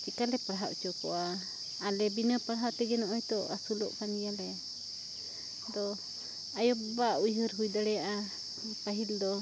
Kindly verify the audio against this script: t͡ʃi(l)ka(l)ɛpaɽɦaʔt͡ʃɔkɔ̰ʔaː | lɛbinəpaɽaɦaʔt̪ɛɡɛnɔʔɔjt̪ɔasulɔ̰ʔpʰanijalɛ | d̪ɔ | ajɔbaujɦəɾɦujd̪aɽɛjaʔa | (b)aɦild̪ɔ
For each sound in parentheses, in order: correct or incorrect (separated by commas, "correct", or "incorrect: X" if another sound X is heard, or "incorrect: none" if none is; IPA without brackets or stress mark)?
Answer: incorrect: none, correct, incorrect: p